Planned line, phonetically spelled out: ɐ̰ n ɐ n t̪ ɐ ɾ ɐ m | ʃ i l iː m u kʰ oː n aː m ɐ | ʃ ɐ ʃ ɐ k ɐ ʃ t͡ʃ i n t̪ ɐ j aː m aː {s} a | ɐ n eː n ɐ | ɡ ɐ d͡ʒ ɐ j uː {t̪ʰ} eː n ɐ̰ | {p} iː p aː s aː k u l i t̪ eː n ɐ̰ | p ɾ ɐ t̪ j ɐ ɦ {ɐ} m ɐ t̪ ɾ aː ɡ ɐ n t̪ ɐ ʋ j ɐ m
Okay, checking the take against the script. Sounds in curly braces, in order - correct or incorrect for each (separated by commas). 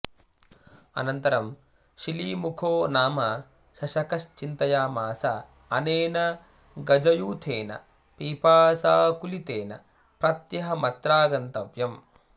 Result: correct, correct, correct, correct